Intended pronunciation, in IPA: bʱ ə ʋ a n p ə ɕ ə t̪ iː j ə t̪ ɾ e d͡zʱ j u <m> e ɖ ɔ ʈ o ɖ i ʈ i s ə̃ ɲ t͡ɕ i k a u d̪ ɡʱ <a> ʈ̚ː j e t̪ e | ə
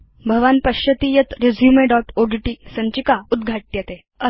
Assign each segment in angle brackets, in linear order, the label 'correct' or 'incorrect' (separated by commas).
correct, correct